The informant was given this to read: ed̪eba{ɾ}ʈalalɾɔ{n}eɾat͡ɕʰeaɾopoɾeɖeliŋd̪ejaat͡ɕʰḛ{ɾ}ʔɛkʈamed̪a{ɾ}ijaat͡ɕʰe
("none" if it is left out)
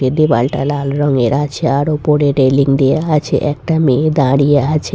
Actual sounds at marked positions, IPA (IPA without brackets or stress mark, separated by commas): l, ŋ, none, ɽ